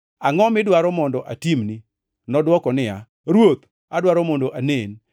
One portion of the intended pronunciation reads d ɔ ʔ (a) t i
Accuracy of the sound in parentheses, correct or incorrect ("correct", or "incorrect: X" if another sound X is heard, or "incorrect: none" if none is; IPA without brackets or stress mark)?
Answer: correct